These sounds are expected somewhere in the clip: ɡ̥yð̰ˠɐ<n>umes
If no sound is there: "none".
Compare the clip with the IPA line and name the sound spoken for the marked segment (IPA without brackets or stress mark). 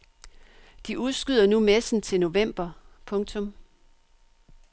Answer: n